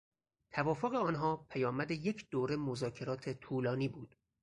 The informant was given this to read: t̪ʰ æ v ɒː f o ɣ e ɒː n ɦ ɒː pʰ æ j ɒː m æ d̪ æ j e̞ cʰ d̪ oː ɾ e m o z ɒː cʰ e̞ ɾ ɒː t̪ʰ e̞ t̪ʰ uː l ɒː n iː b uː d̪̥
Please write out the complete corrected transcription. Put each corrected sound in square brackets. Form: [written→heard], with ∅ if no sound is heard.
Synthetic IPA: t̪ʰ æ v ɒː f o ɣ e ɒː n ɦ ɒː pʰ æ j ɒː m æ d̪ [æ→e] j e̞ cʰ d̪ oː ɾ e m o z ɒː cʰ e̞ ɾ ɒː t̪ʰ e̞ t̪ʰ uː l ɒː n iː b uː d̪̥

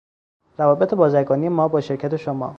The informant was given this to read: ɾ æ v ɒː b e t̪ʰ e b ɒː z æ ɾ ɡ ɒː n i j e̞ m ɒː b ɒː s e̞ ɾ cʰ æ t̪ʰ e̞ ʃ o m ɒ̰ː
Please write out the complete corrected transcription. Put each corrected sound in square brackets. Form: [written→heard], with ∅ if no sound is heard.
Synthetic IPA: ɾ æ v ɒː b e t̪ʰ e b ɒː z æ ɾ ɡ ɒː n i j e̞ m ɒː b ɒː [s→ʃ] e̞ ɾ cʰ æ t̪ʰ e̞ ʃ o m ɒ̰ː

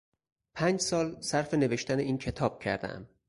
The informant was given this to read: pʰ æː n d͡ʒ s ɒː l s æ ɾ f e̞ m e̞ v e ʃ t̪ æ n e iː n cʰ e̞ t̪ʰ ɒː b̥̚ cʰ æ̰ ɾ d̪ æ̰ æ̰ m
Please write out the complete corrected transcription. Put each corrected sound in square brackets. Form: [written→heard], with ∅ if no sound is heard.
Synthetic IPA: pʰ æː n d͡ʒ s ɒː l s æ ɾ f e̞ [m→n] e̞ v e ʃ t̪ æ n e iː n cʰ e̞ t̪ʰ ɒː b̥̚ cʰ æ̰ ɾ d̪ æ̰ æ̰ m

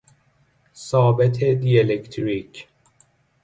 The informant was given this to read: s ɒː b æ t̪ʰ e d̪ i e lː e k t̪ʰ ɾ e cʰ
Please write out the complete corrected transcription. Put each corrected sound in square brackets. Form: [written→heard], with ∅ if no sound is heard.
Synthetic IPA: s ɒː b [æ→e] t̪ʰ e d̪ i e [lː→l] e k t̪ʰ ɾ [e→i] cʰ

